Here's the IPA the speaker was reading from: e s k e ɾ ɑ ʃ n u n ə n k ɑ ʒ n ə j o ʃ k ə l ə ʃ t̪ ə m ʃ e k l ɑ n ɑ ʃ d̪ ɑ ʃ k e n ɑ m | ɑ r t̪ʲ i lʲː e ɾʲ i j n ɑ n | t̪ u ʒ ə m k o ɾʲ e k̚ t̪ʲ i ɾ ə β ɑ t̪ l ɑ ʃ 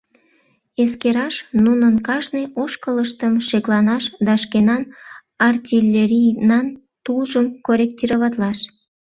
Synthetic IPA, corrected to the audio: e s k e ɾ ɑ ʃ n u n ə n k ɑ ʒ n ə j o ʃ k ə l ə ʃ t̪ ə m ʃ e k l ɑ n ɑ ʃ d̪ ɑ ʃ k e n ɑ n | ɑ r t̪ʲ i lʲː e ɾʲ i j n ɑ n | t̪ u ʒ ə m k o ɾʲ e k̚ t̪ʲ i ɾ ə β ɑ t̪ l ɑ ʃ